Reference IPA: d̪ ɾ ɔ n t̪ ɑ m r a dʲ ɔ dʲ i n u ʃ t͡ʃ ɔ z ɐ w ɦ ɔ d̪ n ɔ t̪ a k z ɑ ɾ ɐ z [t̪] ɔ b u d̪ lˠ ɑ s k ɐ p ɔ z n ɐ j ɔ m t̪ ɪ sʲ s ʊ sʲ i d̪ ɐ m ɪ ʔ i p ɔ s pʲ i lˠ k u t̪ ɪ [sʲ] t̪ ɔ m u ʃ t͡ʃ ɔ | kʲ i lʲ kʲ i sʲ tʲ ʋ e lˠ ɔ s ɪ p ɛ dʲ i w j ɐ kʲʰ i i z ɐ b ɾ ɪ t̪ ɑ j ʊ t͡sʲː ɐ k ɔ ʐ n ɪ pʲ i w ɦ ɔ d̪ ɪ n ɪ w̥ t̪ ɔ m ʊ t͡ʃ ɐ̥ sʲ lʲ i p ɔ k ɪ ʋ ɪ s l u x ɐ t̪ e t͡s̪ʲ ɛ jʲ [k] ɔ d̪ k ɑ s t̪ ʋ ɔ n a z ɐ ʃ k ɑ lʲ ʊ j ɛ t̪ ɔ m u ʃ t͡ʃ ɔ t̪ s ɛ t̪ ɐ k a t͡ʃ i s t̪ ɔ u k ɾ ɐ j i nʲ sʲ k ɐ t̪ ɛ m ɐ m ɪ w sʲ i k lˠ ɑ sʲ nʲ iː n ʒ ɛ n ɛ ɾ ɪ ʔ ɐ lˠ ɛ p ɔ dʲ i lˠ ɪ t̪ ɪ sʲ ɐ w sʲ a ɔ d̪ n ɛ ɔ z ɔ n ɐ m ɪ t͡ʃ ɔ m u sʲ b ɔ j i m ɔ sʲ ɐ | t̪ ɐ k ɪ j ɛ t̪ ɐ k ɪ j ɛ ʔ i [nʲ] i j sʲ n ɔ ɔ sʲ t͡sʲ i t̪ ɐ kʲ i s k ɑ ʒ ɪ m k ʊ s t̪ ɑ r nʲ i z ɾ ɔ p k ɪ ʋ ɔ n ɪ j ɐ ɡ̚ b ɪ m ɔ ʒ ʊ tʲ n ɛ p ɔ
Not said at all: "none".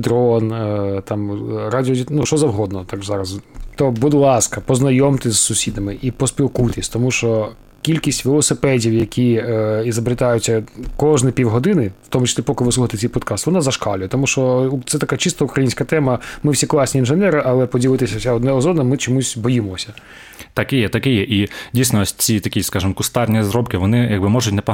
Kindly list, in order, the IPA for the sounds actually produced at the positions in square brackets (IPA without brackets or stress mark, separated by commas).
t̪, sʲ, p, dʲ